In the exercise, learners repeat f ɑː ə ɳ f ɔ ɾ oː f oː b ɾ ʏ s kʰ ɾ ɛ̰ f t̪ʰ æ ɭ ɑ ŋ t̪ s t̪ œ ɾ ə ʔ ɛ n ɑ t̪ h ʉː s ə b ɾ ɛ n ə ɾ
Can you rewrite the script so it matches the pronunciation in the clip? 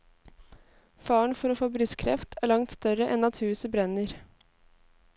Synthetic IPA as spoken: f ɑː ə ɳ f ɔ ɾ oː f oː b ɾ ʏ s kʰ ɾ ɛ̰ f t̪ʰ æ ɭ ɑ ŋ t̪ s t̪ œ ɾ ə ʔ ɛ n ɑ t̪ h ʉː s ə b ɾ ɛ n ə ɾ